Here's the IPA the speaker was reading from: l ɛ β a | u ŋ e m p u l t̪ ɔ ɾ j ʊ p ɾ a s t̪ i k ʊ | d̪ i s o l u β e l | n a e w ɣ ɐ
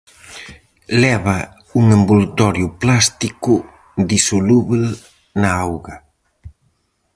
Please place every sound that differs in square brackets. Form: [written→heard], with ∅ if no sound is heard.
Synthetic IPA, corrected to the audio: l ɛ β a | u ŋ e m [p→b] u l t̪ ɔ ɾ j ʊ p [ɾ→l] a s t̪ i k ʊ | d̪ i s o l u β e l | n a [e→a] w ɣ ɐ